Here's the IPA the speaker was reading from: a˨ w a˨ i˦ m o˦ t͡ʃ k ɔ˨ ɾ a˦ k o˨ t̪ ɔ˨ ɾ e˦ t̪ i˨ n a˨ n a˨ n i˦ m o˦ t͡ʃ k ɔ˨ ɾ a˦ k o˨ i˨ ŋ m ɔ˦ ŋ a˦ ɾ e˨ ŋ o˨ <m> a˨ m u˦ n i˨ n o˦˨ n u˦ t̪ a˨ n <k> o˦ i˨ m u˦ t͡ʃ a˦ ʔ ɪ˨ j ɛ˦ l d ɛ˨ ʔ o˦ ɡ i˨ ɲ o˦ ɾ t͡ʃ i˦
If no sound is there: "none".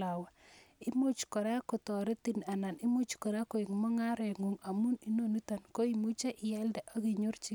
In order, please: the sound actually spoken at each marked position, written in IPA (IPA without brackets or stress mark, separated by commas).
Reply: ŋ, k